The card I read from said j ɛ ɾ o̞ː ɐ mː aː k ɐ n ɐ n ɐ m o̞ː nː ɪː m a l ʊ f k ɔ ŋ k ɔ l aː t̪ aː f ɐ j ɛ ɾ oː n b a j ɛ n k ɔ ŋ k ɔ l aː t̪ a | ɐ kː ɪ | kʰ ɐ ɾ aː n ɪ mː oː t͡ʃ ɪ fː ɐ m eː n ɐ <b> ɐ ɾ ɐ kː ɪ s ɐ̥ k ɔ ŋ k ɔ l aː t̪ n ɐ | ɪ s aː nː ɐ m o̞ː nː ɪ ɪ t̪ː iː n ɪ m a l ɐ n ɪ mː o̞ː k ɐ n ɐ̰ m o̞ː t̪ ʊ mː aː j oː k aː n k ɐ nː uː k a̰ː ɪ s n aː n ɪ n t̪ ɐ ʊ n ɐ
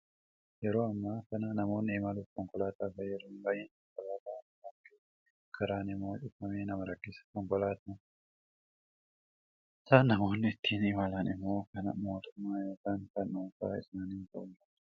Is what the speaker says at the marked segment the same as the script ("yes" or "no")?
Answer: no